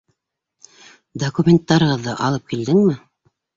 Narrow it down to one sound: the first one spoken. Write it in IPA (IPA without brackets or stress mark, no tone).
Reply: d̪